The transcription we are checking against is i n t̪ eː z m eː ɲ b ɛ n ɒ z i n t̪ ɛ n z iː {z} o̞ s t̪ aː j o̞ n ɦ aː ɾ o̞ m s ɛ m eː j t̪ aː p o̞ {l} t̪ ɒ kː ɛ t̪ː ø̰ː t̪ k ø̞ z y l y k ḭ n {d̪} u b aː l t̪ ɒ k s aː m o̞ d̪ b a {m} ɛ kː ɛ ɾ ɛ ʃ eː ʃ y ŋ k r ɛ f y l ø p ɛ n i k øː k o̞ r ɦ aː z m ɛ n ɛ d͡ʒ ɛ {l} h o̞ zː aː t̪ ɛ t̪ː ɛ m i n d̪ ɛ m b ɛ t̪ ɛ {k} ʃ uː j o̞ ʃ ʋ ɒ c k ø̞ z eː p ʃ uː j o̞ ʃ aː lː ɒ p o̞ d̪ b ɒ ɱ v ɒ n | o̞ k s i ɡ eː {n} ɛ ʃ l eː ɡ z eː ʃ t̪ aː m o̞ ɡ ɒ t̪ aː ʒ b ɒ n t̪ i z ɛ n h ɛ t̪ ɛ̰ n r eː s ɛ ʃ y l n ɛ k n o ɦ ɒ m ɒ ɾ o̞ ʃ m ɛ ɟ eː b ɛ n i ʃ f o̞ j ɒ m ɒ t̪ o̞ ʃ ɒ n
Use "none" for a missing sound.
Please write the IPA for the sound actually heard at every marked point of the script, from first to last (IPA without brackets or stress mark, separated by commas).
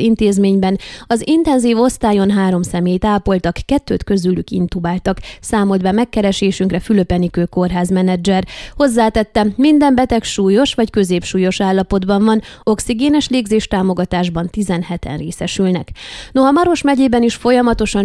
v, l, t̪, m, r, k, n